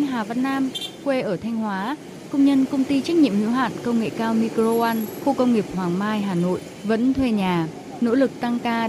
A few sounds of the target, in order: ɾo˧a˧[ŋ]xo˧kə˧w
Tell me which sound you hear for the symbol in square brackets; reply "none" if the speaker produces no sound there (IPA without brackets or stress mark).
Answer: n